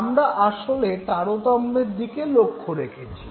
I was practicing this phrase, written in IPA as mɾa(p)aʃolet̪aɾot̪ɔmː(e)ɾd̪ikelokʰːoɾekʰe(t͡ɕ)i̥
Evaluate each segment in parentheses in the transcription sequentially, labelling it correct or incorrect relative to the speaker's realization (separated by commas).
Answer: incorrect, correct, incorrect